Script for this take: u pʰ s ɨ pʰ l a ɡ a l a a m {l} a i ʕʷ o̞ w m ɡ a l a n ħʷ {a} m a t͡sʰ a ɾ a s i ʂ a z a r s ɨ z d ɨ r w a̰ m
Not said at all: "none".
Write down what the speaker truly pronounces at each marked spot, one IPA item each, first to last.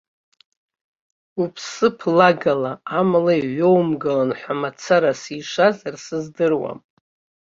l, a

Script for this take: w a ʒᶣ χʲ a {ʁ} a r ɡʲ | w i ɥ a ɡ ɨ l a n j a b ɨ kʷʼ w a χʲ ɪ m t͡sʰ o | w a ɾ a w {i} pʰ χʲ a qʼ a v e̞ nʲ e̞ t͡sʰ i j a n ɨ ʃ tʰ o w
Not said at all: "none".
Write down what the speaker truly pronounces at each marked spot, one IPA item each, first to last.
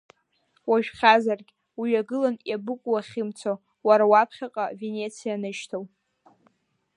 z, a

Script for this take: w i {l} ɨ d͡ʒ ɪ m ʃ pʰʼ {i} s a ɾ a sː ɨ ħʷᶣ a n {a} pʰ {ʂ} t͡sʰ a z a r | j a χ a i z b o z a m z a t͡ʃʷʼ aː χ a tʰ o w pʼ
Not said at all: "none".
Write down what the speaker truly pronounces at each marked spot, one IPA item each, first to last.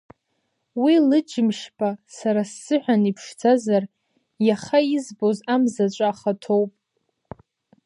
l, a, i, ʂ

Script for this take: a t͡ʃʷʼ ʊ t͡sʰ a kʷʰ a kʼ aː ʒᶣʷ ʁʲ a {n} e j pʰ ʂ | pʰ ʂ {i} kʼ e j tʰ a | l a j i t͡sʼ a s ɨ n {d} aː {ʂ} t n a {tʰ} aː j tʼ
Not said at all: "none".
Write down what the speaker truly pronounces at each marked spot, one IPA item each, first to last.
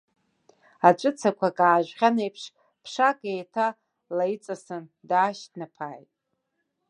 n, a, d, ʃ, pʰ

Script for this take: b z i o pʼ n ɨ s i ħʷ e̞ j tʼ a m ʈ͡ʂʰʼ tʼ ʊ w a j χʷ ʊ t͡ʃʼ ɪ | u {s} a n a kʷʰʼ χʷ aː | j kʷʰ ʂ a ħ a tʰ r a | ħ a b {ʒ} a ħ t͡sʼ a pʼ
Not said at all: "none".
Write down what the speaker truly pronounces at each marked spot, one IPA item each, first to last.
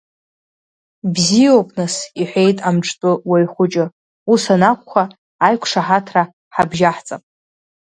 s, ʒ

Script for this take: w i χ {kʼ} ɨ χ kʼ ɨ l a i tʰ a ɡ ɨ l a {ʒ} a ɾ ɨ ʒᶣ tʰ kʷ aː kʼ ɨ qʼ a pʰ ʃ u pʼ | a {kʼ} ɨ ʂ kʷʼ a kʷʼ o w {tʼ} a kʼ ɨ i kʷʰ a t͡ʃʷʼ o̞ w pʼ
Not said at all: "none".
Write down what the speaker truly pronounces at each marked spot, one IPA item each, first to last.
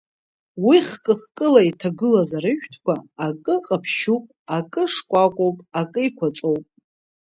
kʼ, z, kʼ, pʼ

